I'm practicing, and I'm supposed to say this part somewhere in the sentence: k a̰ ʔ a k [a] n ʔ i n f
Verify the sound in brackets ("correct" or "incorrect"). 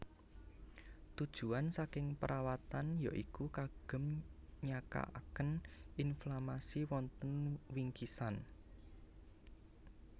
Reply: incorrect